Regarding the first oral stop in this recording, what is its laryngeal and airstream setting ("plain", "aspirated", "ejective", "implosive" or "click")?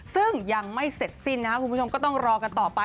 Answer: plain